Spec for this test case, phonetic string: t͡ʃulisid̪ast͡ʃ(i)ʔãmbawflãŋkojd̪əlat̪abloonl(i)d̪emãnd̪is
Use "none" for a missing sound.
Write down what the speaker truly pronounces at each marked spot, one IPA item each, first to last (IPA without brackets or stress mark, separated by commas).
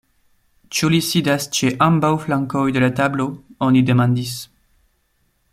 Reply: e, i